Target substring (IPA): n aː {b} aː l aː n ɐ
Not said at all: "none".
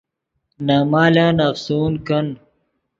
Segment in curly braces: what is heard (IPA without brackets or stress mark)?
m